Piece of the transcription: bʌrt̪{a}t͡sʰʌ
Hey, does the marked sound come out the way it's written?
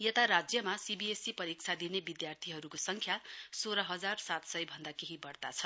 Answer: yes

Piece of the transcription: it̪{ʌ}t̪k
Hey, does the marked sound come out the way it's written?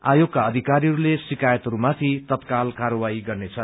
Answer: yes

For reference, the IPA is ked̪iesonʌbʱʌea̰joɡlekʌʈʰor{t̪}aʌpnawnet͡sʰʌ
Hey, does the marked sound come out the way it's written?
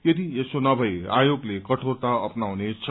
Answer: yes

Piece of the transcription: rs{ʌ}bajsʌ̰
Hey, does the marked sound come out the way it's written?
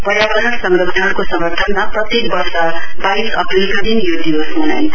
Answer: yes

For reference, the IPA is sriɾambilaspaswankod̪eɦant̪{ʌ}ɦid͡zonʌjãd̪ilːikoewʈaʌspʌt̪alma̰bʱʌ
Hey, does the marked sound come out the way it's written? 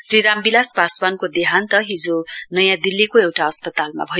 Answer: yes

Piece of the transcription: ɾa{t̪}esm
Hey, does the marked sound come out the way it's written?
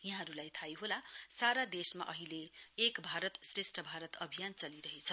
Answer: no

